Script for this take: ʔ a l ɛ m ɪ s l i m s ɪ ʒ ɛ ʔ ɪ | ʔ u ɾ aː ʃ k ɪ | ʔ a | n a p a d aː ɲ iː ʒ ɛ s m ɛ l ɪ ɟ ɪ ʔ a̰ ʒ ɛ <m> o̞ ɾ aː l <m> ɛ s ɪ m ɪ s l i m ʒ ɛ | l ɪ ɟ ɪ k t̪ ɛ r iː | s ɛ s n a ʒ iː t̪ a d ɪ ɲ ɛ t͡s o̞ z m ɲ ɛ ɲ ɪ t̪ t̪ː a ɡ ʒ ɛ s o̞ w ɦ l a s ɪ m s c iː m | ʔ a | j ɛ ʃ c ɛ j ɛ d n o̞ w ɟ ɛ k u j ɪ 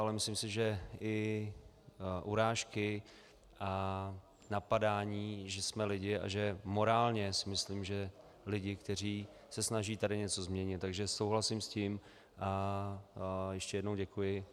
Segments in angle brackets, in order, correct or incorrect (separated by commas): correct, incorrect